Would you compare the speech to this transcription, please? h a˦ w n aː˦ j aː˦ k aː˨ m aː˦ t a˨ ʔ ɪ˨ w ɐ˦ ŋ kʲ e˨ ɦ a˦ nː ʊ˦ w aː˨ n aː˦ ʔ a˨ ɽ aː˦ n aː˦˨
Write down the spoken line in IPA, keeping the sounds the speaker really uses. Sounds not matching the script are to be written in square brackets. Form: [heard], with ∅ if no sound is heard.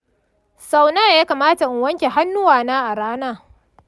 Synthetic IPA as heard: [s] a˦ w n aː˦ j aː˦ k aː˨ m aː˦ t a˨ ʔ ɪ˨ w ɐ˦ ŋ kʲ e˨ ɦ a˦ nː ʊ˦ w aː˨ n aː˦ ʔ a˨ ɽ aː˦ n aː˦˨